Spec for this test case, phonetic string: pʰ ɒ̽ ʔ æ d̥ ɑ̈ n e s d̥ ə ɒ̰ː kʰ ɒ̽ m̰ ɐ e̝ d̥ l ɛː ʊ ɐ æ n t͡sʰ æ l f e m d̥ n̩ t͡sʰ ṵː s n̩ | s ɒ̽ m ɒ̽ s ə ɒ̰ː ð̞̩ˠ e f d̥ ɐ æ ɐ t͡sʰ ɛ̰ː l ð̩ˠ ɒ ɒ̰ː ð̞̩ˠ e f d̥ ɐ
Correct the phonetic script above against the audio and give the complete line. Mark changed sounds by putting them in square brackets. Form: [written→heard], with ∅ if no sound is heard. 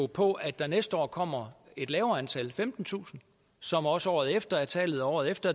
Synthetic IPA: pʰ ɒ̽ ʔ æ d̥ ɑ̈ n e s d̥ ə ɒ̰ː kʰ ɒ̽ m̰ ɐ e̝ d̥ l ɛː ʊ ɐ æ n t͡sʰ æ l f e m d̥ n̩ t͡sʰ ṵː s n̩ | s ɒ̽ m ɒ̽ s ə ɒ̰ː ð̞̩ˠ e f d̥ ɐ æ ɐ t͡sʰ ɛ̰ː l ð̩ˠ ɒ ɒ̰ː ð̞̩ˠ e f d̥ ɐ